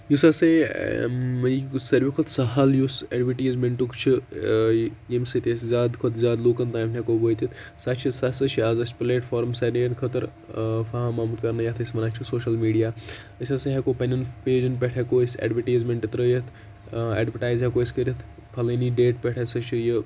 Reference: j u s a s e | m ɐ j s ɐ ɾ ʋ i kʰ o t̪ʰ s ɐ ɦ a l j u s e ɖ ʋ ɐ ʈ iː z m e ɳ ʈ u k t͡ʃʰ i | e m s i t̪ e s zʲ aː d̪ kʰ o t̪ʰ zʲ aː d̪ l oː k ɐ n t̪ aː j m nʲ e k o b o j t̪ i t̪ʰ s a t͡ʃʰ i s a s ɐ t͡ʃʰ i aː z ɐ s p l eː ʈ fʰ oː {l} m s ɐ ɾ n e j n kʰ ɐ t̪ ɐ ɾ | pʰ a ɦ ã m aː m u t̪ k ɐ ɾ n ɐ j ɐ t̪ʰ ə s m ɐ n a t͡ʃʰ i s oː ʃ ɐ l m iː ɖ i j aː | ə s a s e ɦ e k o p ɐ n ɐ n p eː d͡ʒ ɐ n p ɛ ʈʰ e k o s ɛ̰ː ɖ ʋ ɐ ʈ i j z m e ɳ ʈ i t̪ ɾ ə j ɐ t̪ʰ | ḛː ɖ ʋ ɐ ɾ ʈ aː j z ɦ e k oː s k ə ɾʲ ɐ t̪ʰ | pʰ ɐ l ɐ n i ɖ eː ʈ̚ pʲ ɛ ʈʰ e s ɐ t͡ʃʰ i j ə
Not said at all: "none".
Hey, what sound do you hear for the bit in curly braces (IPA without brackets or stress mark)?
ɾ